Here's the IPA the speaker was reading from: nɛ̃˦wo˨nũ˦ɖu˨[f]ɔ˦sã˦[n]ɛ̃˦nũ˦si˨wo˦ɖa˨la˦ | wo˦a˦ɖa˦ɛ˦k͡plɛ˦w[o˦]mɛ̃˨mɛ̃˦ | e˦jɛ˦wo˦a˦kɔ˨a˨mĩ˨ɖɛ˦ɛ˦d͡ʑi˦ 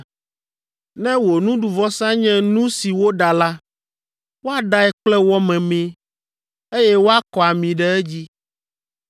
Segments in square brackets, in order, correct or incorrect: incorrect: v, incorrect: ɲ, incorrect: ɔ˦

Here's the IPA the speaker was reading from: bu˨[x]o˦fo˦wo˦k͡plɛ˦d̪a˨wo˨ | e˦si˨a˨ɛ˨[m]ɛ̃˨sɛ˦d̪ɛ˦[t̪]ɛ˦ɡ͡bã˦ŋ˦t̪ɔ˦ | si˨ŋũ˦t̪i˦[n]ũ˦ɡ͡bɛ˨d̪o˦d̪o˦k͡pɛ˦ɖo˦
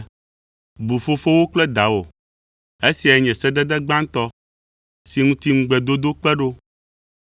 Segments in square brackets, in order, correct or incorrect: incorrect: f, incorrect: ɲ, incorrect: d̪, incorrect: ŋ

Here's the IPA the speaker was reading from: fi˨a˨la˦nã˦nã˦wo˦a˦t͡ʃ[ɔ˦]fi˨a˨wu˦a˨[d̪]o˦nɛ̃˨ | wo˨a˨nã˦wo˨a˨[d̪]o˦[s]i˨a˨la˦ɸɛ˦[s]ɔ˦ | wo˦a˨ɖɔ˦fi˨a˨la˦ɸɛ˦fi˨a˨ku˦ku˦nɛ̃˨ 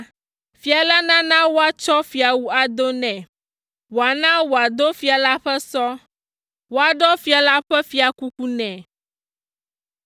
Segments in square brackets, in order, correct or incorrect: correct, correct, correct, incorrect: f, correct

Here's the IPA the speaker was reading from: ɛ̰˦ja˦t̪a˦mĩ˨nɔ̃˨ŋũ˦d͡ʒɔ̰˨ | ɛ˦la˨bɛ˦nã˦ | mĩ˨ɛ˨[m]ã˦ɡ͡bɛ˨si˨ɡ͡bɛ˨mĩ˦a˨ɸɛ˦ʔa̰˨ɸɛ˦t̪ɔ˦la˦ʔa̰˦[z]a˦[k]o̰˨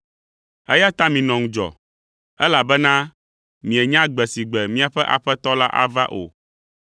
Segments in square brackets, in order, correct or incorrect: incorrect: ɲ, incorrect: v, incorrect: ʔ

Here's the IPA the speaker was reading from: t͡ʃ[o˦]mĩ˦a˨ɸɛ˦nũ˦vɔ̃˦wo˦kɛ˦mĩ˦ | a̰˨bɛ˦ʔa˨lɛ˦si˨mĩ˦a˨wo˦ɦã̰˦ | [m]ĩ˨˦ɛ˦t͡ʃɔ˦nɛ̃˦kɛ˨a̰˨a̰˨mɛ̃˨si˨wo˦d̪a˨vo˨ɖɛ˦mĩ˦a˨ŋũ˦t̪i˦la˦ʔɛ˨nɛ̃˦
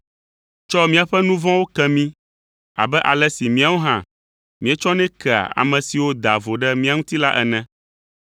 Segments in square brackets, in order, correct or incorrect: incorrect: ɔ˦, correct

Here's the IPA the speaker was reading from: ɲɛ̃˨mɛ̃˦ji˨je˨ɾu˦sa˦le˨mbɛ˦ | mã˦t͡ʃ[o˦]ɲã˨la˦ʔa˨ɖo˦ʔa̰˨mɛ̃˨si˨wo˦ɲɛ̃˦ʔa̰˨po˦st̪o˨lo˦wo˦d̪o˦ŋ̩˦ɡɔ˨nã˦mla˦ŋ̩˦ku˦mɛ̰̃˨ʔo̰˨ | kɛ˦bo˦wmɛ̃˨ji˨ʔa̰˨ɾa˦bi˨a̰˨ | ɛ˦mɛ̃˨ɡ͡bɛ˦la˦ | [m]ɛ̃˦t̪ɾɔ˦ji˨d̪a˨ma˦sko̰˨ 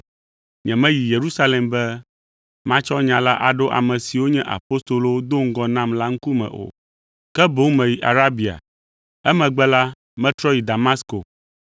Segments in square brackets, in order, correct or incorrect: incorrect: ɔ˦, correct

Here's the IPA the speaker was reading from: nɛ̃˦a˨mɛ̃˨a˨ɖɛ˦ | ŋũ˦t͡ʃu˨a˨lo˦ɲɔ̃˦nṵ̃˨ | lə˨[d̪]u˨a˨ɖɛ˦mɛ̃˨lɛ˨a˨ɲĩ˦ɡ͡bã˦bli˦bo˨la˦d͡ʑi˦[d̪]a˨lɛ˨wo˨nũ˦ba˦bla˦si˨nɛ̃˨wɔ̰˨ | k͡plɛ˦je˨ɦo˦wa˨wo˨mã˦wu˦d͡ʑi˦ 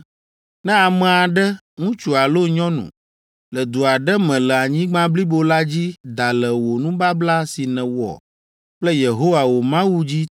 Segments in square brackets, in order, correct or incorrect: correct, correct

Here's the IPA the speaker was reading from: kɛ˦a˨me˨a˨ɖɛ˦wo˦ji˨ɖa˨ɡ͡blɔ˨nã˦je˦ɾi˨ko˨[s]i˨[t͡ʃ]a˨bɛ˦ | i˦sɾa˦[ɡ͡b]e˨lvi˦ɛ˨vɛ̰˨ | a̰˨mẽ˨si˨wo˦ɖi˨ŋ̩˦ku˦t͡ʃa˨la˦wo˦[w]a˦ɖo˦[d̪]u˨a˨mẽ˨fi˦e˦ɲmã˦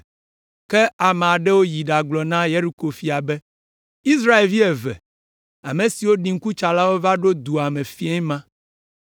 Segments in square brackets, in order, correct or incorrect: incorrect: f, incorrect: none, incorrect: none, incorrect: v, correct

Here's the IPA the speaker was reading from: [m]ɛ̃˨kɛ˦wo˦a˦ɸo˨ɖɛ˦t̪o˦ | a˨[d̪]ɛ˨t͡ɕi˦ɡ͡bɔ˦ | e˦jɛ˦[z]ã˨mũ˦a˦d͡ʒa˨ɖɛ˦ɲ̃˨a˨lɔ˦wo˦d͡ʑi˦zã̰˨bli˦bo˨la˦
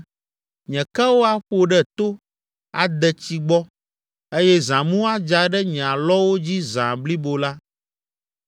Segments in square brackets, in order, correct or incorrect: incorrect: ɲ, correct, correct

